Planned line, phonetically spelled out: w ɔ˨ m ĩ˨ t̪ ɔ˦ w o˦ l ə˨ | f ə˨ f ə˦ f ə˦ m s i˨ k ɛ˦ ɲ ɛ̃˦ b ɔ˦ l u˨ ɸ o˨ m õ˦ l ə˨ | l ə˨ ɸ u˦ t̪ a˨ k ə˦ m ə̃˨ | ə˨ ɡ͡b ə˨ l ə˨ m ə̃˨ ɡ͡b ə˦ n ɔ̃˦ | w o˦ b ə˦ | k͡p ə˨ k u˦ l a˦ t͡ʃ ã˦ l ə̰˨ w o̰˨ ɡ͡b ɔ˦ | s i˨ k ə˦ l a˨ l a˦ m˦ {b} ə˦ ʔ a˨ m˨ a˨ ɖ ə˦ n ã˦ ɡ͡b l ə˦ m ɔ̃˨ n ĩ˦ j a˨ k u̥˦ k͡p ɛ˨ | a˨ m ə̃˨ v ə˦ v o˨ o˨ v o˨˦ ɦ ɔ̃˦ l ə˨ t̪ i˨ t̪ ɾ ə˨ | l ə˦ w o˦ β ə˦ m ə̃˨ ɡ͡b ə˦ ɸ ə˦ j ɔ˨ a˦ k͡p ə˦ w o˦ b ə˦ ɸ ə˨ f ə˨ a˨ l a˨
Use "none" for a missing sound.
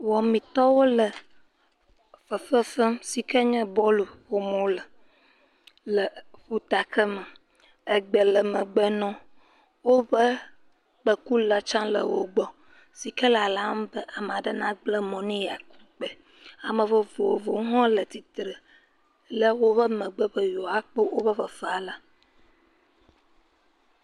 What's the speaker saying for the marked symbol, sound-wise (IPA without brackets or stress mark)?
b